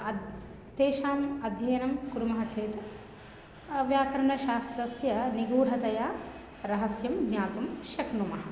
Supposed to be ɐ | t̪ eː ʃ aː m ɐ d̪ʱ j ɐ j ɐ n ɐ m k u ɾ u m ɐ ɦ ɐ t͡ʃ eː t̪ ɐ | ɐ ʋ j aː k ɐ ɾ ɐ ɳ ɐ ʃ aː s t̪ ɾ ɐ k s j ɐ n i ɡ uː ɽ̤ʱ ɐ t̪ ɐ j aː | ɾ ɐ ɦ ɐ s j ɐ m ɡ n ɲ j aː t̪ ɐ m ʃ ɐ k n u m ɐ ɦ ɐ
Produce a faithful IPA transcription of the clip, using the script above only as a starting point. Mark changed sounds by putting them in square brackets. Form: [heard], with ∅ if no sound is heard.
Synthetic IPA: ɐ | t̪ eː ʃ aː m ɐ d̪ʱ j ɐ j ɐ n ɐ m k u ɾ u m ɐ ɦ ɐ t͡ʃ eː t̪ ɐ | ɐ ʋ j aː k ɐ ɾ ɐ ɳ ɐ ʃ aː s t̪ ɾ ɐ [∅] s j ɐ n i ɡ uː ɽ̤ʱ ɐ t̪ ɐ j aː | ɾ ɐ ɦ ɐ s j ɐ m ɡ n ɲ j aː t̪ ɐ m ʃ ɐ k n u m ɐ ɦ ɐ